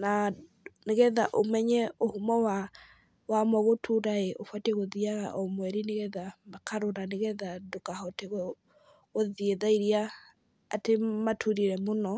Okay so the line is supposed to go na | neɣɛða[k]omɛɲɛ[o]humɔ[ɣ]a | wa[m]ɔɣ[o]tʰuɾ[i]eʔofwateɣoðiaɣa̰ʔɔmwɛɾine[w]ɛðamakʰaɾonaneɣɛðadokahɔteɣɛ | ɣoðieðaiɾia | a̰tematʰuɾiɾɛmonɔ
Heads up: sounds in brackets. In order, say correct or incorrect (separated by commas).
incorrect, correct, incorrect, correct, correct, incorrect, incorrect